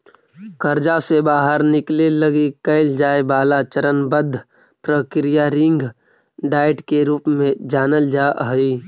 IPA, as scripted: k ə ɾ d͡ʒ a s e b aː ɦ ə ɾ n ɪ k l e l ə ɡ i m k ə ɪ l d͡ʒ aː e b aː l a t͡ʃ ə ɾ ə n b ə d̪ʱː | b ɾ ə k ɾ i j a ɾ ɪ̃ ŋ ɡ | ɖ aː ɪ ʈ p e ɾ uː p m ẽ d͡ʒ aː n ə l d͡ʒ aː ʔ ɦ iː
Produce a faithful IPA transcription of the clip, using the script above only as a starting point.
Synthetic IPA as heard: k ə ɾ d͡ʒ a s e b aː ɦ ə ɾ n ɪ k l e l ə ɡ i k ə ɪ l d͡ʒ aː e b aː l a t͡ʃ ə ɾ ə n b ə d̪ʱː | p ɾ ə k ɾ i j a ɾ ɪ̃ ŋ ɡ | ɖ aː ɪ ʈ k e ɾ uː p m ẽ d͡ʒ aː n ə l d͡ʒ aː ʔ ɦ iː